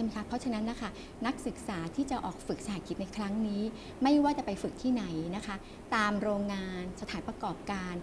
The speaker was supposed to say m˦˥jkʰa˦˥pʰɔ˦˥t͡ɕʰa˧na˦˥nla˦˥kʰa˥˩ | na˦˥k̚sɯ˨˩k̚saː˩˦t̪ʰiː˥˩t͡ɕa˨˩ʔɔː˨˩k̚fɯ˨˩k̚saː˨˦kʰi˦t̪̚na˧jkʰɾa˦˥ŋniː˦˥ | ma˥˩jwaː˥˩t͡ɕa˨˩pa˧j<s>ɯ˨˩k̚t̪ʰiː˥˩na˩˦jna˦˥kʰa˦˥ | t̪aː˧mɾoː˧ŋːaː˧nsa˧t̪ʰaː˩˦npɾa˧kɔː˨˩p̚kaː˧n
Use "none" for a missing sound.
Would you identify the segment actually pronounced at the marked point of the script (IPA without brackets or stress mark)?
f